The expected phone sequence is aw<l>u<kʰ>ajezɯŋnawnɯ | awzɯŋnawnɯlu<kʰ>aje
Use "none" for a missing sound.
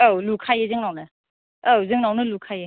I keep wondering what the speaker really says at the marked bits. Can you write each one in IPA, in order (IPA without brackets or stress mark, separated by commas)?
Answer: l, kʰ, kʰ